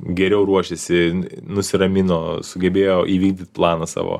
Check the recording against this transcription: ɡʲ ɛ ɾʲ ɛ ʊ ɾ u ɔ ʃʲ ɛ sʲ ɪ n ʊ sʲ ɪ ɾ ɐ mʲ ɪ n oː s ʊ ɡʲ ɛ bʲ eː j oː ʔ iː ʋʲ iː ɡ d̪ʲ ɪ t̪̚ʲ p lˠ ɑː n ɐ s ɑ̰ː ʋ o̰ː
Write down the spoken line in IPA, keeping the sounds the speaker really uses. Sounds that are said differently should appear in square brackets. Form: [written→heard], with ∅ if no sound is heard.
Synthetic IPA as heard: ɡʲ ɛ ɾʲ ɛ ʊ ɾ u ɔ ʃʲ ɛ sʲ ɪ n ʊ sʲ ɪ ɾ ɐ mʲ ɪ n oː s ʊ ɡʲ ɛ bʲ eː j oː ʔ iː ʋʲ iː ɡ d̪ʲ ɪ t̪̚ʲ p lˠ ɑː n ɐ s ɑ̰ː ʋ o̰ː